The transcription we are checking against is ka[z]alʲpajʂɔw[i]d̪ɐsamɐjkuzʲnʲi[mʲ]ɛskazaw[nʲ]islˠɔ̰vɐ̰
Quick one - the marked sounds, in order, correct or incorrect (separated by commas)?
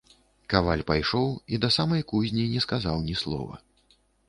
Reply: incorrect, correct, incorrect, correct